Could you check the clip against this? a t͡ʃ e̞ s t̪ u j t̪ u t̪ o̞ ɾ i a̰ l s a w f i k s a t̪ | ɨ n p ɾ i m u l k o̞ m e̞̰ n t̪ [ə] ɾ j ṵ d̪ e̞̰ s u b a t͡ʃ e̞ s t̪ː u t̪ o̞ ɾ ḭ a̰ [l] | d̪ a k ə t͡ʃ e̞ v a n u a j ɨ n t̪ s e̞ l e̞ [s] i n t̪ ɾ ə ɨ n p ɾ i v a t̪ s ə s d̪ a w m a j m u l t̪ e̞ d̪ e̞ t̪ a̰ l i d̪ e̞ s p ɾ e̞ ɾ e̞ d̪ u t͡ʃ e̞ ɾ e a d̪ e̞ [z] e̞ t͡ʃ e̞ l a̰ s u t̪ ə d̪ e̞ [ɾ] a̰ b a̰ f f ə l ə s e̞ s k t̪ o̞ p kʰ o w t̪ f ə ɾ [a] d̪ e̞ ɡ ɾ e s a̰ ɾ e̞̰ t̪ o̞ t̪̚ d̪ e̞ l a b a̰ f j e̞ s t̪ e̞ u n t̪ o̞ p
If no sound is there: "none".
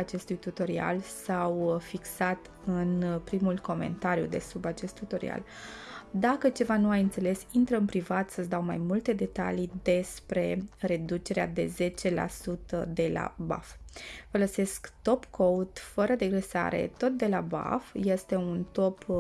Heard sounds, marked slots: a, l, s, z, l, ə

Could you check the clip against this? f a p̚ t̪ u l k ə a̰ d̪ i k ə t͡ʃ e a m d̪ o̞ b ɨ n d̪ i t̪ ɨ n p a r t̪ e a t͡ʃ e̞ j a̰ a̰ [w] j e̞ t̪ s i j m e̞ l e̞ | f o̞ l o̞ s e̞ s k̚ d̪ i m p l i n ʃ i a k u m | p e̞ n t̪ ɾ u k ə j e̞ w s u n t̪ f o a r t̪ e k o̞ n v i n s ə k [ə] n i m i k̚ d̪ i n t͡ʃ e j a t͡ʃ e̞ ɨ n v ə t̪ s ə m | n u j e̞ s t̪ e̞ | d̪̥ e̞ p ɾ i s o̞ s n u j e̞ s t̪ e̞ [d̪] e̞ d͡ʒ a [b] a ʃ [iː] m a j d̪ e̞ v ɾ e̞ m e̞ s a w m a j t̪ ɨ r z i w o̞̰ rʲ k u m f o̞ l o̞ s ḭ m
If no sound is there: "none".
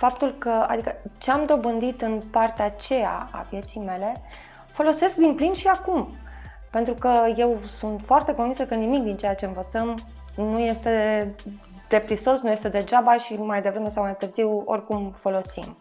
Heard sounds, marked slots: v, ə, d̪, b, i

